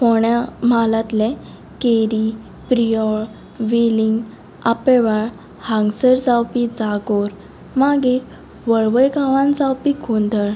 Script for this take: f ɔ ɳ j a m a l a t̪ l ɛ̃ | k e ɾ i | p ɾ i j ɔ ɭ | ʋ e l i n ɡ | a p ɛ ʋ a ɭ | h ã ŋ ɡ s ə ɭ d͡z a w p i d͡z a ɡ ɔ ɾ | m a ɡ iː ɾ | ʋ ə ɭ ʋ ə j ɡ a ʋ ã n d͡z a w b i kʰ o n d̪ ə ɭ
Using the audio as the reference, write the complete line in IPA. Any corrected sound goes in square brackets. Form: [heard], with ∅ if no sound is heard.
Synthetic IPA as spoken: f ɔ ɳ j a m a l a t̪ l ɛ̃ | k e ɾ i | p ɾ i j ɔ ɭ | ʋ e l i [ŋ] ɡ | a p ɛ ʋ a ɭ | h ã ŋ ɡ s ə [ɾ] d͡z a w p i d͡z a ɡ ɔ ɾ | m a ɡ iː ɾ | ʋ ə ɭ ʋ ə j ɡ a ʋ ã n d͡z a w [p] i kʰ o n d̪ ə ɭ